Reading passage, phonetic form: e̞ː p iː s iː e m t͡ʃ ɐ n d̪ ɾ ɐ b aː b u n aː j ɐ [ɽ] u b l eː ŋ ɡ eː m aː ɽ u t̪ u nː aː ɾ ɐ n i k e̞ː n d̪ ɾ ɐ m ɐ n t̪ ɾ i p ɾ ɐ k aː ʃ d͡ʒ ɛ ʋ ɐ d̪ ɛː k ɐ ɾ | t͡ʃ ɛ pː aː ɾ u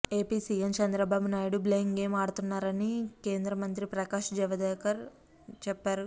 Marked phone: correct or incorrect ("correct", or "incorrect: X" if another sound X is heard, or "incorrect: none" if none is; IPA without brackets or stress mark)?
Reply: correct